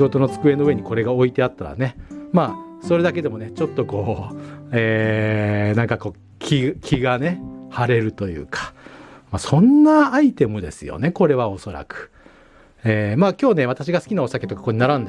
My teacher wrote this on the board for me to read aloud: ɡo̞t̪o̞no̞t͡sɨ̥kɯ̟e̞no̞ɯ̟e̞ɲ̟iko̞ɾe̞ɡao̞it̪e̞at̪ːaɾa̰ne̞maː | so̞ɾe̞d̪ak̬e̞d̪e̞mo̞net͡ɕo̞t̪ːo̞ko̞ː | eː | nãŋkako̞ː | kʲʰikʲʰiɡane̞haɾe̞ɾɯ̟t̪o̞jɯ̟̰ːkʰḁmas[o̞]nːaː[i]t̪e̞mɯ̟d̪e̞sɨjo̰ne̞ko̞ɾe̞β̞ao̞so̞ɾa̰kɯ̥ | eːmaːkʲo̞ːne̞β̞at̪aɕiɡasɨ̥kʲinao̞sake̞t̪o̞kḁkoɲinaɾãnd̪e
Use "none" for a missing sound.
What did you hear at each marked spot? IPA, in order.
õ̞, i

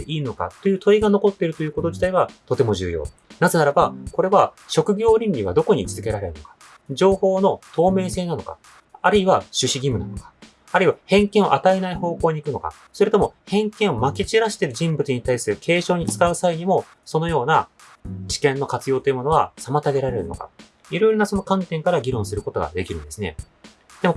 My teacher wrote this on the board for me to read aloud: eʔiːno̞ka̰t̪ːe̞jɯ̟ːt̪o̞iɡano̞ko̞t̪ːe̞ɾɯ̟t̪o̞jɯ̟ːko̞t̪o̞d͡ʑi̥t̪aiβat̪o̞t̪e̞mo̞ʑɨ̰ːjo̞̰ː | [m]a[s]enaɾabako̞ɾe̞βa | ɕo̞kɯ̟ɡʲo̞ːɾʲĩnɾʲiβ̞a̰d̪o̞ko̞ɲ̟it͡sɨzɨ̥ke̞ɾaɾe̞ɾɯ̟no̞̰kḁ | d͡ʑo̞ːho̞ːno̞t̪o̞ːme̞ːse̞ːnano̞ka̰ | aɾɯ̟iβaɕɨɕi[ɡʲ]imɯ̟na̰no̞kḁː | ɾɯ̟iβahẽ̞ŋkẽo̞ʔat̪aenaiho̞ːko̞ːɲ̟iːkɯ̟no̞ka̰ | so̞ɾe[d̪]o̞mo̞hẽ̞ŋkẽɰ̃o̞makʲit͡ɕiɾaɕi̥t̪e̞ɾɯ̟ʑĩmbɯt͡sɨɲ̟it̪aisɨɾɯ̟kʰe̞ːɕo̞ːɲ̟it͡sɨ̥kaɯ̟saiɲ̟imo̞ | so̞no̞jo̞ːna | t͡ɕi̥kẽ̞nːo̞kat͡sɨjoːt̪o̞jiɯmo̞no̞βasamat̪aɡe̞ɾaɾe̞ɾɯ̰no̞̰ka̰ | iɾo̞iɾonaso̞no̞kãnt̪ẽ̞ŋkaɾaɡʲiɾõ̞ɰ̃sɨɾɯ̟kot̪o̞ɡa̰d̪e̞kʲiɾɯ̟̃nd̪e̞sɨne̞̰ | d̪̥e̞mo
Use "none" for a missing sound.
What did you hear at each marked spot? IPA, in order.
n, z, ɡʲ, t̪

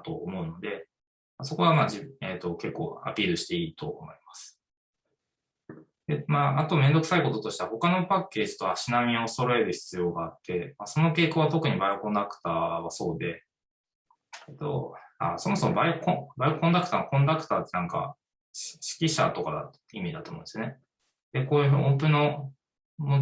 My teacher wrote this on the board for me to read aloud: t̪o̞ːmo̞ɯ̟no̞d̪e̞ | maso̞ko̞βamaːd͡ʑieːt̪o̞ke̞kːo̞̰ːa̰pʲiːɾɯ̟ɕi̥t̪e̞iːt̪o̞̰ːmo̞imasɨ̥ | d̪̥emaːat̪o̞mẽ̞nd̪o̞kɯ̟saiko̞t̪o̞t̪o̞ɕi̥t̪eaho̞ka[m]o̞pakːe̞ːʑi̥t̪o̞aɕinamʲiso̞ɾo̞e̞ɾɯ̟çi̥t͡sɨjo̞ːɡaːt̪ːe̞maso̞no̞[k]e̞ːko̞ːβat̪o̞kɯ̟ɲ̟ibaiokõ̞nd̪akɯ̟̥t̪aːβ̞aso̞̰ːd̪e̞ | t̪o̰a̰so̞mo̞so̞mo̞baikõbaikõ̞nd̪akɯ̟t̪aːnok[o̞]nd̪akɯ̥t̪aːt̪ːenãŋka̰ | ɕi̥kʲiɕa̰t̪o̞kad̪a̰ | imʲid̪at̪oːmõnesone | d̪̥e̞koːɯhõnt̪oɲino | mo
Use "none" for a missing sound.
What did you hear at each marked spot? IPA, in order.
n, k, õ̞

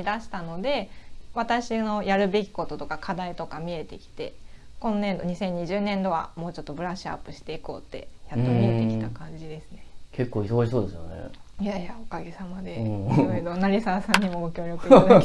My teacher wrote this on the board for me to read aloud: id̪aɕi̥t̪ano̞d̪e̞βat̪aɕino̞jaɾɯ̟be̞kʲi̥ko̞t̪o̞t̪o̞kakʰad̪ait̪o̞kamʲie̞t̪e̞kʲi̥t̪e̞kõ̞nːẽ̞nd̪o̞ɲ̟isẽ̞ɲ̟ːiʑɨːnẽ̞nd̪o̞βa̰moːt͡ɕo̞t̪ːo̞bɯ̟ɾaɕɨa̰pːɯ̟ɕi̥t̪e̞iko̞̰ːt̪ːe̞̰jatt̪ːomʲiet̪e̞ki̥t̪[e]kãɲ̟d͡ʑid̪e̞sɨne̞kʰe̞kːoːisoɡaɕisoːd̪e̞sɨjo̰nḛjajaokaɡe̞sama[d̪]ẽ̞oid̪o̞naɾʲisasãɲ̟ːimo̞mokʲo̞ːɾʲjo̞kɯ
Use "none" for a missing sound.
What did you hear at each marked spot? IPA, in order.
a, d̪

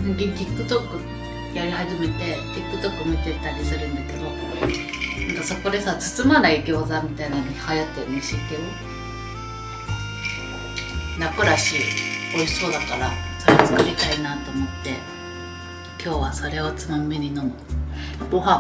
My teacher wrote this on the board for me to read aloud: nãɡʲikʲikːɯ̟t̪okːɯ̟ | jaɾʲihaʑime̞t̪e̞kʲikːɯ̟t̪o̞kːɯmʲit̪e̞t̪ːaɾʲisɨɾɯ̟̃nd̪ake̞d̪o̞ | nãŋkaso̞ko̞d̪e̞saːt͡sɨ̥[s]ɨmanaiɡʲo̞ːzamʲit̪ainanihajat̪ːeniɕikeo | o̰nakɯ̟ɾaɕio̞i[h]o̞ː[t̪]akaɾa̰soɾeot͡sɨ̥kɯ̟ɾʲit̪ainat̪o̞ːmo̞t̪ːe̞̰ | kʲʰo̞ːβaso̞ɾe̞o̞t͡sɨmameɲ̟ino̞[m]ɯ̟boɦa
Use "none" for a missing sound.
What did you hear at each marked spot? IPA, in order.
t͡s, s, d̪, m

